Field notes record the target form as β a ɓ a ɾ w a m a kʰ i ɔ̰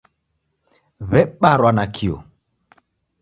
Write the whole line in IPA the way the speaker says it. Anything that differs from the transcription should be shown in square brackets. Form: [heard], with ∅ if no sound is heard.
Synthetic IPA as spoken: β [ɛ] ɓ a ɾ w a [n] a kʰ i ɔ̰

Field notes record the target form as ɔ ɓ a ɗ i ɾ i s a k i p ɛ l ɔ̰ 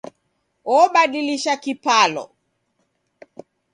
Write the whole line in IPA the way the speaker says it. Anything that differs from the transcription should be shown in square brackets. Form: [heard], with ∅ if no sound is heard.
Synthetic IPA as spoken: ɔ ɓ a ɗ i [l] i [ʃ] a k i p [a] l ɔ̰

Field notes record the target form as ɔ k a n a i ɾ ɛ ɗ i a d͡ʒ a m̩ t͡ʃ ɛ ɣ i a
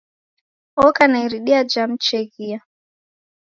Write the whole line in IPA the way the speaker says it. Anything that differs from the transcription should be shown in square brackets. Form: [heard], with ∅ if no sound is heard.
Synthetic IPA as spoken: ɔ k a n a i ɾ [i] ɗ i a d͡ʒ a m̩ t͡ʃ ɛ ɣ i a

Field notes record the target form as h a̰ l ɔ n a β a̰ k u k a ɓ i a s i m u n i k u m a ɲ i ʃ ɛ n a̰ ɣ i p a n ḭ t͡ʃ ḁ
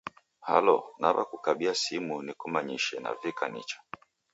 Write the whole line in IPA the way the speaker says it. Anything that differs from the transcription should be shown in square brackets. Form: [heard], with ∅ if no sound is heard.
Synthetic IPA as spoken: h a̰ l ɔ n a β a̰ k u k a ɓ i a s i m u n i k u m a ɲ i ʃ ɛ n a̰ [v] i [k] a n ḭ t͡ʃ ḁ

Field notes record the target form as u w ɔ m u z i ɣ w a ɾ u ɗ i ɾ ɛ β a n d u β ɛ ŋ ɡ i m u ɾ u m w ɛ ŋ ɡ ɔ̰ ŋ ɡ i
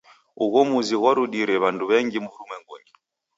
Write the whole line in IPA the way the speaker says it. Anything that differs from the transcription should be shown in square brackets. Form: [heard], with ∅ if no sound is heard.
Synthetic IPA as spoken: u [ɣ] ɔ m u z i ɣ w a ɾ u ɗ i ɾ ɛ β a n d u β ɛ ŋ ɡ i m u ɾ u m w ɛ ŋ ɡ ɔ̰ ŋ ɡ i

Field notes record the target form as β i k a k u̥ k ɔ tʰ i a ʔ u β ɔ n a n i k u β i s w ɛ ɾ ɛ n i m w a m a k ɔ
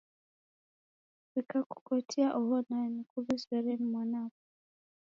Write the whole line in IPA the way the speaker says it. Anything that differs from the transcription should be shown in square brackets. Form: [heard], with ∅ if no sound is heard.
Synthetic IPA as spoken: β i k a k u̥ k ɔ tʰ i a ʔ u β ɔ n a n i k u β i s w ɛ ɾ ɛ n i m w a [n] a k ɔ

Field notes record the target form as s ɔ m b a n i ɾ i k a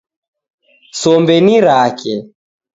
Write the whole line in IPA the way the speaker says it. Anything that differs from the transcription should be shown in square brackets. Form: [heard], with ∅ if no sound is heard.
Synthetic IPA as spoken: s ɔ m b [ɛ] n i ɾ [a] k [ɛ]

